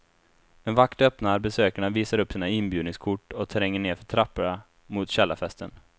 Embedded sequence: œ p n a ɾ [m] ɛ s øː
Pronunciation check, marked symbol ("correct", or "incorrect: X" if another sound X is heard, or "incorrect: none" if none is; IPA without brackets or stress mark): incorrect: b